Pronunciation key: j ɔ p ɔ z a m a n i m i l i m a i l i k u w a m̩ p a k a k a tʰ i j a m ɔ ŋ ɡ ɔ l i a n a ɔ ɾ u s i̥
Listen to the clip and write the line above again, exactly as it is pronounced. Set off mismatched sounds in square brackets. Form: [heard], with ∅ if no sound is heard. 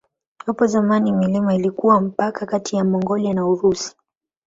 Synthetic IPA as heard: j ɔ p ɔ z a m a n i m i l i m a i l i k u w a m̩ p a k a k a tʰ i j a m ɔ ŋ ɡ ɔ l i a n a [u] ɾ u s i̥